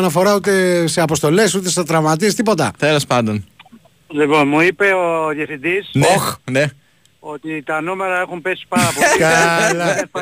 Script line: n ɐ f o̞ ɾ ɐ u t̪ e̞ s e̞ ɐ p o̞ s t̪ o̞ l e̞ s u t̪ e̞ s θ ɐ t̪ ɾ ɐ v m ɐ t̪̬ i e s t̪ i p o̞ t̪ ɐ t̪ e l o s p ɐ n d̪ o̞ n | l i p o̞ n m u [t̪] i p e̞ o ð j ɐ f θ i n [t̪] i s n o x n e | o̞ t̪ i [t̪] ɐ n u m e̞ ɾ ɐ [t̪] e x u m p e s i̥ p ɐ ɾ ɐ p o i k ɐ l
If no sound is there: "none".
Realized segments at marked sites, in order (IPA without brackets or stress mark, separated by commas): none, d̪, t̪, none